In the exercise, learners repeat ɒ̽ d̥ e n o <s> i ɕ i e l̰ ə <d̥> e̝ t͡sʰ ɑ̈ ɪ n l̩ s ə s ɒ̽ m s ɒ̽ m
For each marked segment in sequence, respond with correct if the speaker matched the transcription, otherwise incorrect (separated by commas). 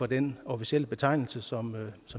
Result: incorrect, incorrect